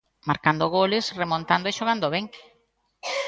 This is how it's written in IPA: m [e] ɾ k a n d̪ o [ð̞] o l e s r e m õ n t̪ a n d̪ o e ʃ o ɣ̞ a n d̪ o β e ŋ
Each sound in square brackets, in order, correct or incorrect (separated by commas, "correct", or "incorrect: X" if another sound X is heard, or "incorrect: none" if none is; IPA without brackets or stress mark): incorrect: a, incorrect: ɣ̞